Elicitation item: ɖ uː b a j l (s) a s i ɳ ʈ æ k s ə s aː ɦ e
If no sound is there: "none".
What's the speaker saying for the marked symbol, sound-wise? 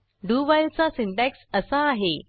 t͡s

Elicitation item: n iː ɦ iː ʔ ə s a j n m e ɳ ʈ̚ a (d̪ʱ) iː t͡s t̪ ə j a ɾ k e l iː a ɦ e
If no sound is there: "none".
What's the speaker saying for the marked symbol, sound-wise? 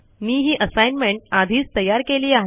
d̪ʱ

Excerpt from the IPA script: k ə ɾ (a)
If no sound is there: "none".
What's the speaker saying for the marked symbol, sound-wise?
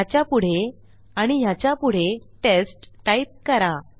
a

